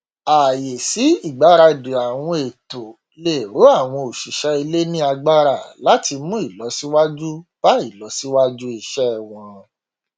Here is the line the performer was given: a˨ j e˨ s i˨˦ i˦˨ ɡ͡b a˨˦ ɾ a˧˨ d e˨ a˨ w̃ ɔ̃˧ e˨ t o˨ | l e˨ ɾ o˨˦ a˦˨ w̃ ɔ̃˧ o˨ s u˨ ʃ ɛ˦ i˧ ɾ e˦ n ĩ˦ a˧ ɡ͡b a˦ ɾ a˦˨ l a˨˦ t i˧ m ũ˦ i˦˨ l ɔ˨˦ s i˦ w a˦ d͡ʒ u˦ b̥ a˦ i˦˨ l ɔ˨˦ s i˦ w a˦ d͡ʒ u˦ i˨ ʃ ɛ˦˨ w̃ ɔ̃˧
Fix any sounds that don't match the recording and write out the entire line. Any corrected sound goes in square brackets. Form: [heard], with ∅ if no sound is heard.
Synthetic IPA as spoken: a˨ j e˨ s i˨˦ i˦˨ ɡ͡b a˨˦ ɾ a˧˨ d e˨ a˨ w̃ ɔ̃˧ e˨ t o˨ | l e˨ ɾ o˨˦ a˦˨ w̃ ɔ̃˧ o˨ [ʃ] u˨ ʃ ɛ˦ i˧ [l] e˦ n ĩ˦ a˧ ɡ͡b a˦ ɾ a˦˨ l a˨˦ t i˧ m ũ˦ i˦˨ l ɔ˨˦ s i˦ w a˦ d͡ʒ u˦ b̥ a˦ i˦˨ l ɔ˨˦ s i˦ w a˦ d͡ʒ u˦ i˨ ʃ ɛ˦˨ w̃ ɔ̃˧